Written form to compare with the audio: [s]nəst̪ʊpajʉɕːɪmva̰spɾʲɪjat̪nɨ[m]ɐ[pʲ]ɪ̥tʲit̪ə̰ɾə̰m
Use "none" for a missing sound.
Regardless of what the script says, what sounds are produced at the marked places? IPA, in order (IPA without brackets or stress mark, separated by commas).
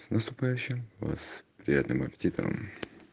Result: s, m, pʲ